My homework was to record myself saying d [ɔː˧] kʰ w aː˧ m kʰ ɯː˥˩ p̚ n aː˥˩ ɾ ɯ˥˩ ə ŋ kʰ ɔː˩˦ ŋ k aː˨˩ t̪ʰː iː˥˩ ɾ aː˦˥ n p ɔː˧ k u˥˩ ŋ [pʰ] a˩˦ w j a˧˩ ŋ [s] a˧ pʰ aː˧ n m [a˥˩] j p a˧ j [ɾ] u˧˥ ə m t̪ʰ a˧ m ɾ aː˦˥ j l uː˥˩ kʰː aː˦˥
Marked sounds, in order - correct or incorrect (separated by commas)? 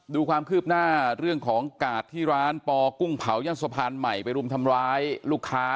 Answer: incorrect, correct, correct, incorrect, correct